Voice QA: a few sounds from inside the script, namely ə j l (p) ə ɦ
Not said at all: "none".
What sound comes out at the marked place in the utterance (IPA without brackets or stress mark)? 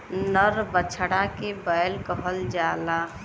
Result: k